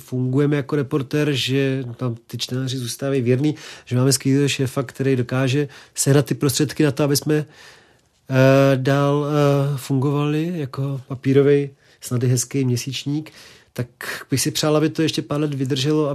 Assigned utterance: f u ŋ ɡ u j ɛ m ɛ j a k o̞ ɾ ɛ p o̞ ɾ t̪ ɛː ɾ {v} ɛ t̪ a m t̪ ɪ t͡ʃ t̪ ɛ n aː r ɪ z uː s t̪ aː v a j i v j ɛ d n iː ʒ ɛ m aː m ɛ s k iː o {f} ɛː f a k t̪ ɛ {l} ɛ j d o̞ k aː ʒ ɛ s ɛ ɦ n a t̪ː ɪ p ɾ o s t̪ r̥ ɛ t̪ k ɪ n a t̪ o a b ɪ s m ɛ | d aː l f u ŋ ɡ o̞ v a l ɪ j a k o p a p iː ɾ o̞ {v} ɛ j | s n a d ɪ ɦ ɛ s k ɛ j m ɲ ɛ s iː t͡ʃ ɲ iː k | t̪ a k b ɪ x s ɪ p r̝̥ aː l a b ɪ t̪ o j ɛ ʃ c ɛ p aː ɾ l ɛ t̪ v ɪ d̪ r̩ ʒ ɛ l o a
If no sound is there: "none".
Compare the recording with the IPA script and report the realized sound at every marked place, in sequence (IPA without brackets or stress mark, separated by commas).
ʒ, ʃ, ɾ, v